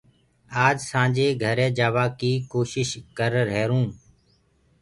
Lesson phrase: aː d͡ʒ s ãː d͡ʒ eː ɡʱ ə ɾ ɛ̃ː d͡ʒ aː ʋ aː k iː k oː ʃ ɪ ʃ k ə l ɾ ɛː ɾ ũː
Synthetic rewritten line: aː d͡ʒ s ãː d͡ʒ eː ɡʱ ə ɾ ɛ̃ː d͡ʒ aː ʋ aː k iː k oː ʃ ɪ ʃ k ə ɾ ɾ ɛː ɾ ũː